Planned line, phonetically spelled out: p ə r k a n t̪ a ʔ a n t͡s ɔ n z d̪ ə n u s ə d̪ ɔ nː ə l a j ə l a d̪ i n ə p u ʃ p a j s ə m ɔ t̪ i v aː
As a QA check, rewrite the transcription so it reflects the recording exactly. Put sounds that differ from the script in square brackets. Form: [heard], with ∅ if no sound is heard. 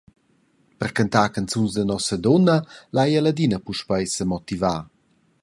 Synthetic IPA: p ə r k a n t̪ a [k] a n t͡s [u] n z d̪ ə n [ɔ] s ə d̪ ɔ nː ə l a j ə l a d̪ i n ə p u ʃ p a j s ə m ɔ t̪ i v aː